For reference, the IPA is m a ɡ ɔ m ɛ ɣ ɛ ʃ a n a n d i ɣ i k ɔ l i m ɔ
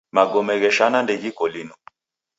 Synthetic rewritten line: m a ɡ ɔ m ɛ ɣ ɛ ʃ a n a n d ɛ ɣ i k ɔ l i n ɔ